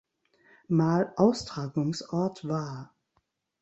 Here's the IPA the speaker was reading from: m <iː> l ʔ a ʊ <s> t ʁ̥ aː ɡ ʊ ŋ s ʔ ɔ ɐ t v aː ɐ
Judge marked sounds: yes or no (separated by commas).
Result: no, yes